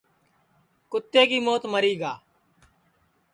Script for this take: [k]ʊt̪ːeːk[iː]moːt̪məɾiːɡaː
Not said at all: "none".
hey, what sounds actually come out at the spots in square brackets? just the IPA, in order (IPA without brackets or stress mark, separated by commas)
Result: k, iː